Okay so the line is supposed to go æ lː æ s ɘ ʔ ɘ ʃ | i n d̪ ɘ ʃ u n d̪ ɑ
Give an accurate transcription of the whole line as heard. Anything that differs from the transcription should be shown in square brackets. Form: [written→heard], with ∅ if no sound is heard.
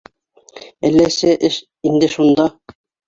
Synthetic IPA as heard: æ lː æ s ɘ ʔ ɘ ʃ | i n d̪ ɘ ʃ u n d̪ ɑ